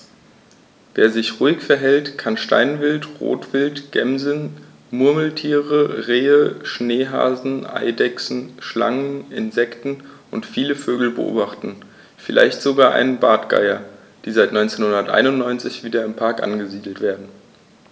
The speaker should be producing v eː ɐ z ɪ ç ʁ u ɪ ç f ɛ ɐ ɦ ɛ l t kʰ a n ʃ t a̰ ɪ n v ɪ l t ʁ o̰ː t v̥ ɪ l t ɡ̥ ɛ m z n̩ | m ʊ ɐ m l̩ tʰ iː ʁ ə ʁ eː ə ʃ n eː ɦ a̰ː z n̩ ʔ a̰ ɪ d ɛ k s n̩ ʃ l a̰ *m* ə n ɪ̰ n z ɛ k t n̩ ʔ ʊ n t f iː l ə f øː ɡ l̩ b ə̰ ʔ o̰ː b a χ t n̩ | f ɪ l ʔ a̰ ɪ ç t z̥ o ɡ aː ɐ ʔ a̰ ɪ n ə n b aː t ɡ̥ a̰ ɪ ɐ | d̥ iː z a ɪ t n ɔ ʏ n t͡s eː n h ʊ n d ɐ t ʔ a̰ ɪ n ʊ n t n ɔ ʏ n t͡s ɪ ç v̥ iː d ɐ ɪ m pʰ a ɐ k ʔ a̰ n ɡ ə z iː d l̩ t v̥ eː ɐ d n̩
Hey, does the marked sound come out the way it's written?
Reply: no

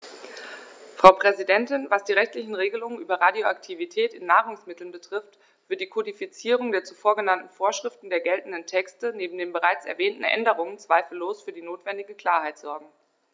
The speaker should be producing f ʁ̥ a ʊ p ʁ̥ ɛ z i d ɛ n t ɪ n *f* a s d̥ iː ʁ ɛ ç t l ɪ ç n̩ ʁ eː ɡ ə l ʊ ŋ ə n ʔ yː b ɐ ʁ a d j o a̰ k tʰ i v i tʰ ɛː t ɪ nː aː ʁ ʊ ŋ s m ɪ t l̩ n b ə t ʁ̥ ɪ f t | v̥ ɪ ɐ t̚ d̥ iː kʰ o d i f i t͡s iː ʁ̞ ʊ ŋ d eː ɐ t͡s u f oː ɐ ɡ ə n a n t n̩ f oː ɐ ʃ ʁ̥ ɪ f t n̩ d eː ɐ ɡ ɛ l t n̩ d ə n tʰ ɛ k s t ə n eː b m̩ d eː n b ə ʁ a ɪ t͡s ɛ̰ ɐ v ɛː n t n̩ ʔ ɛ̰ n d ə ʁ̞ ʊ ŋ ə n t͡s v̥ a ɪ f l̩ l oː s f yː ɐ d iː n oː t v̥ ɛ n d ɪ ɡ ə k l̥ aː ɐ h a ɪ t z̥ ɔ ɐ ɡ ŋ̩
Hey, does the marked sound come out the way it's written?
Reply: no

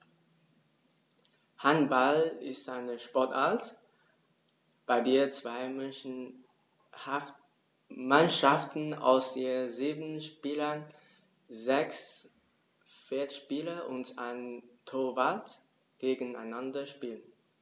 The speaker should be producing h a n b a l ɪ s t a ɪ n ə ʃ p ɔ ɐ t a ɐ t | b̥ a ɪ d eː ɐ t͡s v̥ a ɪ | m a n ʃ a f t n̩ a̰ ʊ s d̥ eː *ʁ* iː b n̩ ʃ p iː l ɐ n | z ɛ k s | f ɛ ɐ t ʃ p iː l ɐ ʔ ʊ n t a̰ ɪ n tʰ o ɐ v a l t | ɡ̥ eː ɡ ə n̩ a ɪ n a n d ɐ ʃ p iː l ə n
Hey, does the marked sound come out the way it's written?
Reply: no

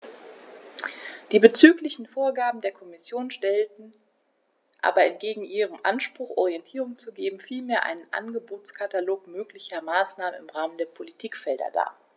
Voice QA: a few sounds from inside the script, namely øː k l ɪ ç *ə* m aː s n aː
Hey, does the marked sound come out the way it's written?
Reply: no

